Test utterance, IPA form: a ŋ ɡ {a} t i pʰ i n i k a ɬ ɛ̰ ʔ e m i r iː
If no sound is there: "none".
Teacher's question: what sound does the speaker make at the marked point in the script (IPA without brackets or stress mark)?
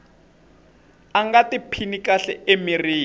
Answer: a